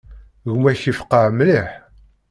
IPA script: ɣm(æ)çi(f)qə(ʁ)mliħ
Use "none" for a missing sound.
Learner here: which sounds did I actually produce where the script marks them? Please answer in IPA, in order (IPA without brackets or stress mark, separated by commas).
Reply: æ, f, ʕ